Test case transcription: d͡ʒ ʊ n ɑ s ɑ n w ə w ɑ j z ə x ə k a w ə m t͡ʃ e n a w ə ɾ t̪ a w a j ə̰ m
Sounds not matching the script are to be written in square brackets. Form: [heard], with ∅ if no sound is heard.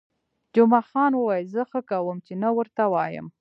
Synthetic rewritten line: d͡ʒ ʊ [m] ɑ [x] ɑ n w ə w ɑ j z ə x ə k a w ə m t͡ʃ e n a w ə ɾ t̪ a w [ɑ] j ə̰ m